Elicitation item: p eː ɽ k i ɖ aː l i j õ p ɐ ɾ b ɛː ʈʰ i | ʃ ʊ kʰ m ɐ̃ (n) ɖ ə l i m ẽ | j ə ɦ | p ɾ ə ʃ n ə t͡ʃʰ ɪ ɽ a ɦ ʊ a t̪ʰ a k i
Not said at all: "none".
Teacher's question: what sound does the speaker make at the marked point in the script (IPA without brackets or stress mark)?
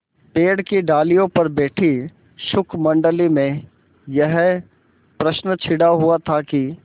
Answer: ɳ